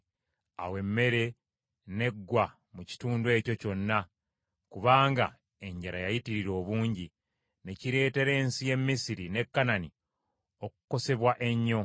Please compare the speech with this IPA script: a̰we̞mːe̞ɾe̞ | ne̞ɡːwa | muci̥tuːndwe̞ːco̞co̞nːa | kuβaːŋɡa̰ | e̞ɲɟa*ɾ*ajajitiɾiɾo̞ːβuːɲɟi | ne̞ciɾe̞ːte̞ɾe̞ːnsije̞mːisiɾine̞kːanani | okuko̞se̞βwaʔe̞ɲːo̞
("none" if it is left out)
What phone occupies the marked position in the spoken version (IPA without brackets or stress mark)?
ɾ